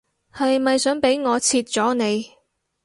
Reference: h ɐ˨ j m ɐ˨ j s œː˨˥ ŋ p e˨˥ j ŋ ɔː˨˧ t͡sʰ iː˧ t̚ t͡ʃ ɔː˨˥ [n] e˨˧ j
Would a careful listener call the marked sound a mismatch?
no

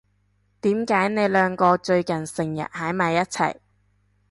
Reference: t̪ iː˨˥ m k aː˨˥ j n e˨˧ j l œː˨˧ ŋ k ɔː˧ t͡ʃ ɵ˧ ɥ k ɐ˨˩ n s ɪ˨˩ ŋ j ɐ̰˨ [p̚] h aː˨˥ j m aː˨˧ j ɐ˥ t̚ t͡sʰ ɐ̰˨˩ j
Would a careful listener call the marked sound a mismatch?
yes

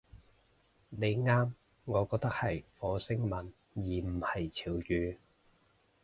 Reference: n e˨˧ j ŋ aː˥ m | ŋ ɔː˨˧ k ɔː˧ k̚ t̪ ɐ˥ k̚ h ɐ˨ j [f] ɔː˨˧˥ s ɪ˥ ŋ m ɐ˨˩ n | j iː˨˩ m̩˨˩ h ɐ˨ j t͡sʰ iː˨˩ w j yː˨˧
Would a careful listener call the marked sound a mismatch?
no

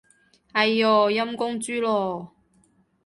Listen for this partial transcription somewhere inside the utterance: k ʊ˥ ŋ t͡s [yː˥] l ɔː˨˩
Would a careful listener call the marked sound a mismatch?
no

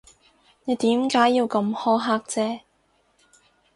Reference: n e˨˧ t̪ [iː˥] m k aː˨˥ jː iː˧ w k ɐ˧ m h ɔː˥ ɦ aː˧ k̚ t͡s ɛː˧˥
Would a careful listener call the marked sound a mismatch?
yes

